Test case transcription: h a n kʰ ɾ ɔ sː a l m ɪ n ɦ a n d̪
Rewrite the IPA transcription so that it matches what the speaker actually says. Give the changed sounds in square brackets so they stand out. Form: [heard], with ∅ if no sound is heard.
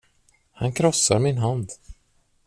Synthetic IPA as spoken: h a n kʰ ɾ ɔ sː a [ɾ] m ɪ n ɦ a n d̪